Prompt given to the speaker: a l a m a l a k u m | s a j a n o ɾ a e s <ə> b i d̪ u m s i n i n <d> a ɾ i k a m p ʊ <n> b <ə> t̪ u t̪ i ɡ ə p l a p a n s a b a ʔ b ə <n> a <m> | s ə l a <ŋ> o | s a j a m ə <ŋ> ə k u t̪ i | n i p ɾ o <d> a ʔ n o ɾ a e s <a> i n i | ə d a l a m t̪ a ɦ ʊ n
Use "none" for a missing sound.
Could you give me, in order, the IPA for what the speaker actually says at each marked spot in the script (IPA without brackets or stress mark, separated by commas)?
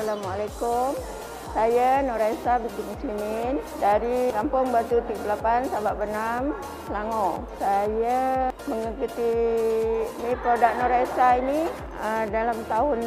a, d, ŋ, a, n, m, ŋ, ŋ, d, a